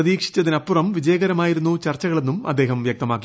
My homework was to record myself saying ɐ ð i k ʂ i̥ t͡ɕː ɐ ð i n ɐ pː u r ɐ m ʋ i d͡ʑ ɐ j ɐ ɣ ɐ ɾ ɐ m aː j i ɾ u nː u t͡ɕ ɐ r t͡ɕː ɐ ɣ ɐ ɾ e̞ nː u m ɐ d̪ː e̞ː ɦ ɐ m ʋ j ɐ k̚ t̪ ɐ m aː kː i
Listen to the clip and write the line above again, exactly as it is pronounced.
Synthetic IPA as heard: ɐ ð iː k ʂ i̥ t͡ɕː ɐ ð i n ɐ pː u r ɐ m ʋ i d͡ʑ ɐ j ɐ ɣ ɐ ɾ ɐ m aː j i ɾ u nː u t͡ɕ ɐ r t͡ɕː ɐ ɣ ɐ ɭ e̞ nː u m ɐ d̪ː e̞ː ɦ ɐ m ʋ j ɐ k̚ t̪ ɐ m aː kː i

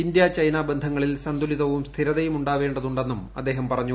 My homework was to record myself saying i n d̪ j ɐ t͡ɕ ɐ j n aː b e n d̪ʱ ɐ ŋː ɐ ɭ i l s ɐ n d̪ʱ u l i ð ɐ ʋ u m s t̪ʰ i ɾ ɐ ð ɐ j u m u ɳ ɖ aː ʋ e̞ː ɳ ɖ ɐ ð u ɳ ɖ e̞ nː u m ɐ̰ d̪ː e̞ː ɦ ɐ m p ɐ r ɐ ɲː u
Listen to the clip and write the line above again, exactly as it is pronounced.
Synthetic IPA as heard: i n d̪ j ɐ t͡ɕ ɐ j n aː b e n d̪ʱ ɐ ŋː ɐ ɭ i l s ɐ n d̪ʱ u l i ð ɐ ʋ u m s t̪ʰ i ɾ ɐ ð ɐ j u m u ɳ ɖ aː ʋ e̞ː ɳ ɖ ɐ ð u ɳ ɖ e̞ nː u m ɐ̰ d̪ː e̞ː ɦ ɐ m p ɐ r ɐ ɲː u

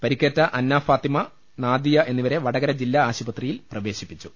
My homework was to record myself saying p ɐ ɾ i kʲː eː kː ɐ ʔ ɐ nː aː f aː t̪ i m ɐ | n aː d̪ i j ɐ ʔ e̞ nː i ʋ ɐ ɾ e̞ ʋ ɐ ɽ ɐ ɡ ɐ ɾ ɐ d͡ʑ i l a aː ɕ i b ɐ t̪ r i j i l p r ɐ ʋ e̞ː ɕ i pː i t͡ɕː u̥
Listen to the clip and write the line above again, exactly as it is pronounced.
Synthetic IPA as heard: p ɐ ɾ i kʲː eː tː ɐ ʔ ɐ nː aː f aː t̪ i m ɐ | n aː d̪ i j ɐ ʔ e̞ nː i ʋ ɐ ɾ e̞ ʋ ɐ ɽ ɐ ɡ ɐ ɾ ɐ d͡ʑ i lː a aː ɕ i b ɐ t̪ r i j i l p r ɐ ʋ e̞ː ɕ i pː i t͡ɕː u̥

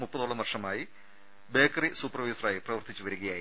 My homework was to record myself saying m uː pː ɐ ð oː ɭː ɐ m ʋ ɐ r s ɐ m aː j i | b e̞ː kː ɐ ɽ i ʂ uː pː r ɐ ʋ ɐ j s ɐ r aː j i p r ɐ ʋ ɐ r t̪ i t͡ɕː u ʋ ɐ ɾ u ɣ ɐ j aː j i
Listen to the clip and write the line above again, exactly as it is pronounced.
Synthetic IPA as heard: m u pː ɐ ð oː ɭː ɐ m ʋ ɐ r ʂ ɐ m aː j i | b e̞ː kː ɐ r i s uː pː r ɐ ʋ ɐ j s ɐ r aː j i p r ɐ ʋ ɐ r t̪ i t͡ɕː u ʋ ɐ ɾ u ɣ ɐ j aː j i

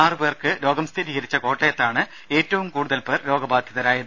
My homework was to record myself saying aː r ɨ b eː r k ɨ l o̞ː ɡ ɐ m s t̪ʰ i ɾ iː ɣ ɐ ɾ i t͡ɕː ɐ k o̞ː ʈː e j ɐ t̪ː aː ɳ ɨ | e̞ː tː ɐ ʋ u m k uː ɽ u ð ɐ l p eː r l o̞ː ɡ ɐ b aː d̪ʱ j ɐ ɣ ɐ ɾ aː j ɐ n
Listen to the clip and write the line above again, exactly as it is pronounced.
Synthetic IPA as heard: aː r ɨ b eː r k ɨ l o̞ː ɡ ɐ m s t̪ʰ i ɾ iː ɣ ɐ ɾ i t͡ɕː ɐ k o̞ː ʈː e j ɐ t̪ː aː ɳ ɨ | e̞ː tː ɐ ʋ u m k uː ɽ u ð ɐ l p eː r l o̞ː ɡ ɐ b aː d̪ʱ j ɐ ð ɐ ɾ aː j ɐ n

